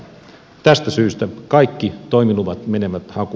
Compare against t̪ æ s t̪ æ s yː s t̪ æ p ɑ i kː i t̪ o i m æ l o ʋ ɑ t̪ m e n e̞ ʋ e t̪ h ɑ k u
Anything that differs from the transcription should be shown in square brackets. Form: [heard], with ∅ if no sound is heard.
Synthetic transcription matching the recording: t̪ æ s t̪ æ s yː s t̪ æ [k] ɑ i kː i t̪ o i m [i] l [u] ʋ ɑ t̪ m e n e̞ ʋ [æ] t̪ h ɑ k u